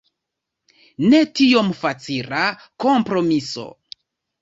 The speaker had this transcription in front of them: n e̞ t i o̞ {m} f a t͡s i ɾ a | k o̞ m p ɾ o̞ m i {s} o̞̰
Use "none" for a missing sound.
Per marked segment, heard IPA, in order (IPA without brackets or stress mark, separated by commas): m, s